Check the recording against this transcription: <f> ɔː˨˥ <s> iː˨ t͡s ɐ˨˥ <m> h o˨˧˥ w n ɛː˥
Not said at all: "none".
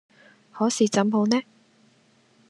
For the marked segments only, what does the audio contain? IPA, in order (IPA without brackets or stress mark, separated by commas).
h, s, m